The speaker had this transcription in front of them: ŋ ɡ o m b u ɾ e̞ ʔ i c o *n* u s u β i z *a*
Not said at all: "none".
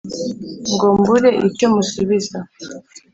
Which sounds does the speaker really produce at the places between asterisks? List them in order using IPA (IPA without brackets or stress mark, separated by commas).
m, a